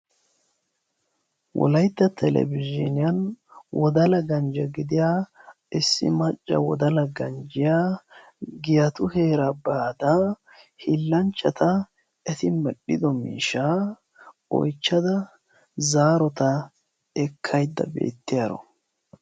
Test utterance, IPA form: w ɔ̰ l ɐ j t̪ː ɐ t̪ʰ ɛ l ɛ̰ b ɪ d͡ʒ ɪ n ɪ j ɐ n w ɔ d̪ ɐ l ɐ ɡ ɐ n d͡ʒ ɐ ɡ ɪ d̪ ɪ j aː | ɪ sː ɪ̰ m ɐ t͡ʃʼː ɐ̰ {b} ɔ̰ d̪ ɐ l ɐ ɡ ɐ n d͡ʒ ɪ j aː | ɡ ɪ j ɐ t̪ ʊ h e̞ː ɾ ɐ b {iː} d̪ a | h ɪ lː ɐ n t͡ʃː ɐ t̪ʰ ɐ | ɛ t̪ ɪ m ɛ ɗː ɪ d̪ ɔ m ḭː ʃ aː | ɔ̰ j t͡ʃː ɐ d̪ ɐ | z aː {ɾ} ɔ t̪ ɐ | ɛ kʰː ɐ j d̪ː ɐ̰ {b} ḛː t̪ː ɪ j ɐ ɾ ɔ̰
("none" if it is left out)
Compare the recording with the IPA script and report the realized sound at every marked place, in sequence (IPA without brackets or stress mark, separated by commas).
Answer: w, aː, ɾ, b